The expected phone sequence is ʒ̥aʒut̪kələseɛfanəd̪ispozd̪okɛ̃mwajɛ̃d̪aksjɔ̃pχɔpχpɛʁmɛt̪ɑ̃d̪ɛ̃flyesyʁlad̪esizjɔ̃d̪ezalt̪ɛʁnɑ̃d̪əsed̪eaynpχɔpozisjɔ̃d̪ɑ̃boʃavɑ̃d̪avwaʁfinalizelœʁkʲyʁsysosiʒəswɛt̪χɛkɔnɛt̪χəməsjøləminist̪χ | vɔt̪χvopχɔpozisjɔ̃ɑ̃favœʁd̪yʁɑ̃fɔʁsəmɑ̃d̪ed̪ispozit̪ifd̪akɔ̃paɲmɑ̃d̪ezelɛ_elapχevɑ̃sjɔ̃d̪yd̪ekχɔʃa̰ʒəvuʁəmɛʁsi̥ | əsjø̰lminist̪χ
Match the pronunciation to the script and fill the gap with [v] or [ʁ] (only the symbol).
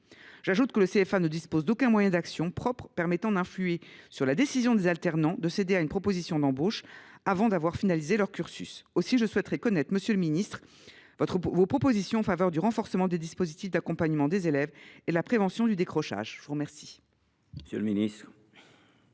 v